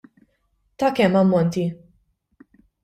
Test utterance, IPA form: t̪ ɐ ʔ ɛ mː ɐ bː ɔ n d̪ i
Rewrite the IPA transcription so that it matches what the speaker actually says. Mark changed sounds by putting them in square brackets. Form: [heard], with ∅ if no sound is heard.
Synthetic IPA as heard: t̪ ɐ [k] ɛ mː ɐ [mː] ɔ n [t̪] i